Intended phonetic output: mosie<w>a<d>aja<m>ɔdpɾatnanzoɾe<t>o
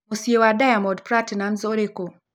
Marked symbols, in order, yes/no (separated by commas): yes, yes, yes, no